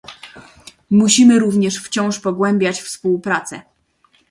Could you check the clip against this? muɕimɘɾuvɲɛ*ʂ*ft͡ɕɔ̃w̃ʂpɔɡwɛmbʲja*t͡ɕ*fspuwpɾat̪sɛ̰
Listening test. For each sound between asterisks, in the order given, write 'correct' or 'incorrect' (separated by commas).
correct, correct